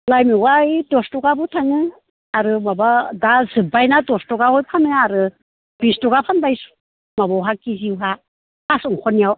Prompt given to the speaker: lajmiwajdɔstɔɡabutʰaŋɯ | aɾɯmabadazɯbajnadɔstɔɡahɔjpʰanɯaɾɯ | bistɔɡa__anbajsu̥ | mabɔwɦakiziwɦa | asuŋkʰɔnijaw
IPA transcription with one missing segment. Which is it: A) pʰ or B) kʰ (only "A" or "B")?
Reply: A